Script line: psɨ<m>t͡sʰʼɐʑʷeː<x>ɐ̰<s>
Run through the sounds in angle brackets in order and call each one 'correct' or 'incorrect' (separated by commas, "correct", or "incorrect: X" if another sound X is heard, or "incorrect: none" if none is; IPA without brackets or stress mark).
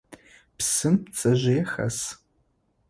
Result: correct, correct, correct